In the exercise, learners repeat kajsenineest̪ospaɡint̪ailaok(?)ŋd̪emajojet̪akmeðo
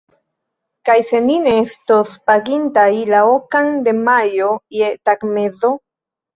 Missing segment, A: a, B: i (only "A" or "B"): A